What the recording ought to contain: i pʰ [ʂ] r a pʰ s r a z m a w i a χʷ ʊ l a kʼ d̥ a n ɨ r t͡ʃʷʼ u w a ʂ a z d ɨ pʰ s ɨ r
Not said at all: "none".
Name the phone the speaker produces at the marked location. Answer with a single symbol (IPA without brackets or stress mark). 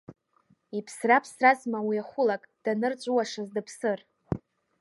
s